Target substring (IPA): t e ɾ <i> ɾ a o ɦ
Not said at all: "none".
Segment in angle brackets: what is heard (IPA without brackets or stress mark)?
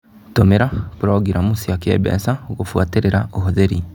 e